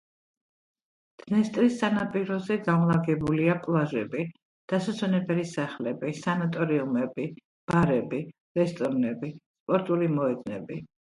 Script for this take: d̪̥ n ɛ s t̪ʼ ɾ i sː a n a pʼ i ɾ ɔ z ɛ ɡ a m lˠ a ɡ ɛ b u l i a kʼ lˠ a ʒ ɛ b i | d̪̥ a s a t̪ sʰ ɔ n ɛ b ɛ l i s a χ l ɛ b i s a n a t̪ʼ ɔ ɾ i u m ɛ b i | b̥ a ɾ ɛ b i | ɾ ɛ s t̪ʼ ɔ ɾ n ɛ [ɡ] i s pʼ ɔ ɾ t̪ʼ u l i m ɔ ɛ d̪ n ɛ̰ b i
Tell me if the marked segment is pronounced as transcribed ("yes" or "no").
no